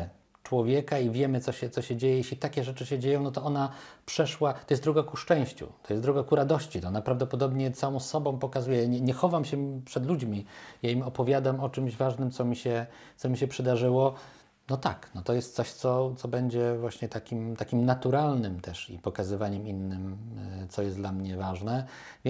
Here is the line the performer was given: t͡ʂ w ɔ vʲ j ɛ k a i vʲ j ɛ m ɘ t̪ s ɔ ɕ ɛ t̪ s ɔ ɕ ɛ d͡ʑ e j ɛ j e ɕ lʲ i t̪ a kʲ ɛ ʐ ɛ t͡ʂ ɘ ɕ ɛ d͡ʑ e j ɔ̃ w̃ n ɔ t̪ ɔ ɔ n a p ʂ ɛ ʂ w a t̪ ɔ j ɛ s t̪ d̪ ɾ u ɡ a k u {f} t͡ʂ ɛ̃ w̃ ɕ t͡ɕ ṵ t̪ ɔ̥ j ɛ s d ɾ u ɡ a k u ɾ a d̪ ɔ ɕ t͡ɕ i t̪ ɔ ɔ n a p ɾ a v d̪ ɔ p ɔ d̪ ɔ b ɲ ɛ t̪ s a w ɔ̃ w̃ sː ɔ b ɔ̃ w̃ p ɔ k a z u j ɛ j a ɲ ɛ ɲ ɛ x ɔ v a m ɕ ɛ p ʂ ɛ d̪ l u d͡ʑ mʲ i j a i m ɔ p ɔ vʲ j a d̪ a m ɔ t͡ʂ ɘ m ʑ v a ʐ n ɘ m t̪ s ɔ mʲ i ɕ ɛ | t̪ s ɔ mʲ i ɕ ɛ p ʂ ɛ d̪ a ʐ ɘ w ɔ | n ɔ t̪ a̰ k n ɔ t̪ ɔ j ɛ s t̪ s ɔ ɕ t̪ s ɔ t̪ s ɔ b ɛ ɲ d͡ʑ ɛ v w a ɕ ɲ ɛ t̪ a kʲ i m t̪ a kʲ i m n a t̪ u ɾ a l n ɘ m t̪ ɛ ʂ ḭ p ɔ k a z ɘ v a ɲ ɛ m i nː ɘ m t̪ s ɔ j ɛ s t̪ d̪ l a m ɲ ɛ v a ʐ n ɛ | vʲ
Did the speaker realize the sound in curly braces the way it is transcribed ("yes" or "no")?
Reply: no